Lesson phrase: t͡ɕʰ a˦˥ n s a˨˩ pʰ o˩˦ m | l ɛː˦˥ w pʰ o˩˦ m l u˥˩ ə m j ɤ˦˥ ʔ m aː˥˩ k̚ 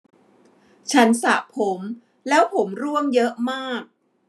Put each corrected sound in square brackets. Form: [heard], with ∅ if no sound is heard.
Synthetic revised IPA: t͡ɕʰ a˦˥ n s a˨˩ pʰ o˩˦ m | l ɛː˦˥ w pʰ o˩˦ m [ɾ] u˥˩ ə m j ɤ˦˥ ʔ m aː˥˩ k̚